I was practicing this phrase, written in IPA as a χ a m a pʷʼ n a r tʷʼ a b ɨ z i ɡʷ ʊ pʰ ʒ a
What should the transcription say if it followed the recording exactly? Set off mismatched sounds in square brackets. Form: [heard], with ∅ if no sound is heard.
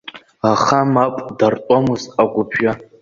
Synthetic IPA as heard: a χ a m a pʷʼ [d] a r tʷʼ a [m] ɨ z [a] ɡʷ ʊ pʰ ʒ a